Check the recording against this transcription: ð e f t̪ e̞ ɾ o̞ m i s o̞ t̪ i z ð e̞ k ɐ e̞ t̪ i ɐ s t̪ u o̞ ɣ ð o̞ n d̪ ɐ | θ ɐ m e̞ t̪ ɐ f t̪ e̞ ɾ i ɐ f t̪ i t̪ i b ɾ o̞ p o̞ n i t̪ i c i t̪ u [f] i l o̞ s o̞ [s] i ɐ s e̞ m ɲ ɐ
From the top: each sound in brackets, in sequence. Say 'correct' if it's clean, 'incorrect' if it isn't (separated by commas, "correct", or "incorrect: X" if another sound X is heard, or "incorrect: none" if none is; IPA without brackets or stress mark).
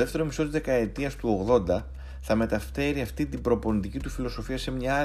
correct, incorrect: f